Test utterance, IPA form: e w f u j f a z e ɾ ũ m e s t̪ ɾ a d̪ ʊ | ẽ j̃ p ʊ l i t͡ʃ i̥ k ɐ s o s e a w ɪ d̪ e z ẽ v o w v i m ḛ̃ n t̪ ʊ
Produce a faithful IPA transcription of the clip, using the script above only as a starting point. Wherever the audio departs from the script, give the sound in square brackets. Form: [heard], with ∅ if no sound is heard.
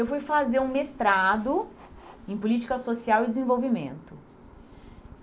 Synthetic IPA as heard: e w f u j f a z e ɾ ũ m e s t̪ ɾ a d̪ ʊ | ẽ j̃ p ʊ l i t͡ʃ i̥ k ɐ s o s [i] a w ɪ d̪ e z ẽ v o w v i m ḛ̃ n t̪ ʊ